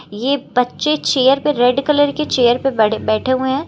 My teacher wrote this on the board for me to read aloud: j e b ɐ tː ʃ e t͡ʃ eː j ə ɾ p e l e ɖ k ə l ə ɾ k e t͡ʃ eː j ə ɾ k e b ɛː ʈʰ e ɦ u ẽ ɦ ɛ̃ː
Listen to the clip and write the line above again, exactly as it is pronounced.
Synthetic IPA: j e b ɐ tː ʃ e t͡ʃ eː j ə ɾ p e ɾ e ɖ k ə l ə ɾ k e t͡ʃ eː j ə ɾ p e b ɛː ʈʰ e ɦ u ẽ ɦ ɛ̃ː

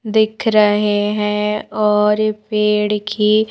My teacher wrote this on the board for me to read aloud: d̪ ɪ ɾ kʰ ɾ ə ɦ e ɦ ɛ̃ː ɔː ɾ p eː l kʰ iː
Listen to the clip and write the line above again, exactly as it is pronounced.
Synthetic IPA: d̪ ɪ kʰ ɾ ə ɦ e ɦ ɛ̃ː ɔː ɾ p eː ɽ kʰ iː

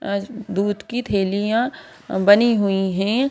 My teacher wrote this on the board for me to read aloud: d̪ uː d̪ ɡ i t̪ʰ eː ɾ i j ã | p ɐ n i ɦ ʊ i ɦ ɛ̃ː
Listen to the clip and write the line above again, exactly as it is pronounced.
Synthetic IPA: d̪ uː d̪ k i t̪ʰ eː l i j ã | b ɐ n i ɦ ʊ i ɦ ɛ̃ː

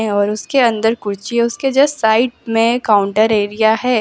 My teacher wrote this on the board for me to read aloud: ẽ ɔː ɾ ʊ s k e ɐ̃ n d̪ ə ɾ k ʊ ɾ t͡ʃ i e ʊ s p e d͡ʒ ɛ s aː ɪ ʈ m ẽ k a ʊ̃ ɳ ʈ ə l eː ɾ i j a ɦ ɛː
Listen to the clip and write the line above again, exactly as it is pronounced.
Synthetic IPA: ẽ ɔː ɾ ʊ s k e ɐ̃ n d̪ ə ɾ k ʊ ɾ t͡ʃ i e ʊ s k e d͡ʒ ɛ s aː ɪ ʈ m ẽ k a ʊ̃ ɳ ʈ ə ɾ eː ɾ i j a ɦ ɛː

